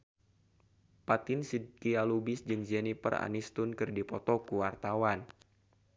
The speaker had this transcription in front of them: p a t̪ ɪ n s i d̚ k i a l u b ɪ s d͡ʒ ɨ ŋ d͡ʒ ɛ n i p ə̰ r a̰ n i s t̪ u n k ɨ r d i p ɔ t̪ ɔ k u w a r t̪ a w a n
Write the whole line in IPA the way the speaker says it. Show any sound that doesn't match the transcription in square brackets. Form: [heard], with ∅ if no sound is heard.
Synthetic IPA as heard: p a t̪ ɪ n s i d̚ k i a l u b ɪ s d͡ʒ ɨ ŋ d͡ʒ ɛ n i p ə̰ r a̰ n i s t̪ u n k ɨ r d i p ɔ t̪ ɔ k u w a r t̪ a w a n